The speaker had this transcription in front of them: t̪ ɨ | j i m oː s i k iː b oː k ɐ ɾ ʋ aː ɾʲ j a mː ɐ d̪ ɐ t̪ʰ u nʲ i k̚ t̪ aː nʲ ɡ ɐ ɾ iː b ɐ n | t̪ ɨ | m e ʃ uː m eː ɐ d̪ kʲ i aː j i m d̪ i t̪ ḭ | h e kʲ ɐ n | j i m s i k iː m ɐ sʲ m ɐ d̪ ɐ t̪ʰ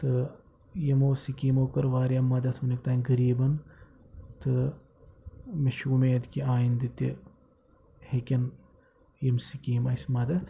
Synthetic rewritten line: t̪ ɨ | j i m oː s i k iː m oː k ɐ ɾ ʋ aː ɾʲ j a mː ɐ d̪ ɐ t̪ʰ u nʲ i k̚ t̪ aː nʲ ɡ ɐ ɾ iː b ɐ n | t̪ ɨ | m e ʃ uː m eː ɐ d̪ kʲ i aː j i n d̪ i t̪ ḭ | h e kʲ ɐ n | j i m s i k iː m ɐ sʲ m ɐ d̪ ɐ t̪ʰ